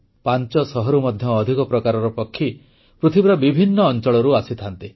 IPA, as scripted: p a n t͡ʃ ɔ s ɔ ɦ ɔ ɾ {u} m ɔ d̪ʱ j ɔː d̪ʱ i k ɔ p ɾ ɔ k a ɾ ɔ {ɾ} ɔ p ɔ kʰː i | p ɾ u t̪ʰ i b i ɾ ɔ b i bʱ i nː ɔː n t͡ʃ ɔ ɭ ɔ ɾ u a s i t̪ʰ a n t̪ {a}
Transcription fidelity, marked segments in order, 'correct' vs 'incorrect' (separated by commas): correct, correct, incorrect